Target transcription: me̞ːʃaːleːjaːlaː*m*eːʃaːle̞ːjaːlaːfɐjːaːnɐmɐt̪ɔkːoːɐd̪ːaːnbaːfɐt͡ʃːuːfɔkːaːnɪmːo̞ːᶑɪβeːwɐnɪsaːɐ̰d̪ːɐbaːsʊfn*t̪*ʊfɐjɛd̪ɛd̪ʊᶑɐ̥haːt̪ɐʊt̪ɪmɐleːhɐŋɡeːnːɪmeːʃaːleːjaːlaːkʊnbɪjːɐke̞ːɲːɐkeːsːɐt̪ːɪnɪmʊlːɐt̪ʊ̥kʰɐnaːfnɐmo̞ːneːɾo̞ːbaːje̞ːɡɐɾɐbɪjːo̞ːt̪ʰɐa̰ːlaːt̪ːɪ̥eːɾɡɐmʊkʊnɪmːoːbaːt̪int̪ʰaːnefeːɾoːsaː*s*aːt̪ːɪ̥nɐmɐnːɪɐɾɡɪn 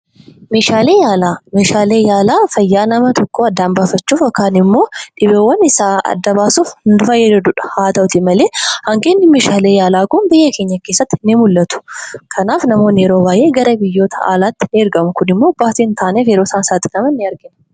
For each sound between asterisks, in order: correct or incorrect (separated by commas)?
correct, incorrect, correct